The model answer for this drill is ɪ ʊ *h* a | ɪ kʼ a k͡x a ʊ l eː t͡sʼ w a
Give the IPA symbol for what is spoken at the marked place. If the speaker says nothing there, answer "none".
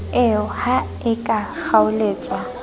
h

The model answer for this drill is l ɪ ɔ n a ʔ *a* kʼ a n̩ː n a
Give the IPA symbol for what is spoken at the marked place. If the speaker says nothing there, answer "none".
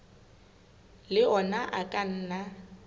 a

